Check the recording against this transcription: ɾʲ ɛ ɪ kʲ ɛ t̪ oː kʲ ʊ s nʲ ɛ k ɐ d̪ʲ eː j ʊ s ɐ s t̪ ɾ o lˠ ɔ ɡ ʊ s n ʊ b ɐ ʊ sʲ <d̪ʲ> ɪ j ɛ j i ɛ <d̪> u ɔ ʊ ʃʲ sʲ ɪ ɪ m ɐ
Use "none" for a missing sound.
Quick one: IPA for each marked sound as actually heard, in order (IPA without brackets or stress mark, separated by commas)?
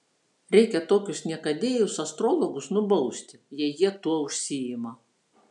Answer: t̪ʲ, t̪